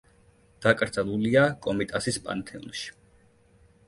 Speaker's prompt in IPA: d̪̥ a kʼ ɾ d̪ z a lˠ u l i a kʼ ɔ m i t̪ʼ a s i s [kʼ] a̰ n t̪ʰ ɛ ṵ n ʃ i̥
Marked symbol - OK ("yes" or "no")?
no